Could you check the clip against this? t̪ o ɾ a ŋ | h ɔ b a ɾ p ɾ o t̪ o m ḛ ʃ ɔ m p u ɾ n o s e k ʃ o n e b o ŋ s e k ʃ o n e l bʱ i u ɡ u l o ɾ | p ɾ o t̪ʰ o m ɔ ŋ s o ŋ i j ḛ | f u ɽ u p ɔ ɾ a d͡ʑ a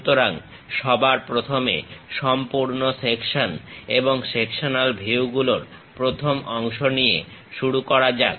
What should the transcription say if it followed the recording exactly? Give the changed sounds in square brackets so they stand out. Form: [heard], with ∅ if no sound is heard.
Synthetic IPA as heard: t̪ o ɾ a ŋ | [ʃ] ɔ b a ɾ p ɾ o [t̪ʰ] o m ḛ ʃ ɔ m p u ɾ n o s e k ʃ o n e b o ŋ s e k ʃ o n [a] l bʱ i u ɡ u l o ɾ | p ɾ o t̪ʰ o m ɔ ŋ [ʃ] o [n] i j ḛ | [ʃ] u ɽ u [k] ɔ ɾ a d͡ʑ a